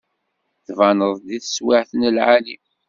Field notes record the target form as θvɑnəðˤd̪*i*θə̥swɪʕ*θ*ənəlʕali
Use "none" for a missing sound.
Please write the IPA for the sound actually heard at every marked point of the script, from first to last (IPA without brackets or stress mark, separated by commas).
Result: i, θ